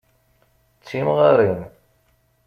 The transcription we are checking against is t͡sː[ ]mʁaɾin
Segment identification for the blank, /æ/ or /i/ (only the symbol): i